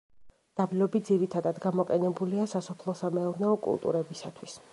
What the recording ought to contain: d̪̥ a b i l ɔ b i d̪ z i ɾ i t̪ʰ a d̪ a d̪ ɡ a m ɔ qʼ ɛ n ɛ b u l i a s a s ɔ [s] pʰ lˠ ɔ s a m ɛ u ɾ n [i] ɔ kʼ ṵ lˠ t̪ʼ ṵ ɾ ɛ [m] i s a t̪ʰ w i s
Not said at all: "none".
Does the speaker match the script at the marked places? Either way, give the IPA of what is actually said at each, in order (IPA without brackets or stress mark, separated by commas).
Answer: none, ɛ, b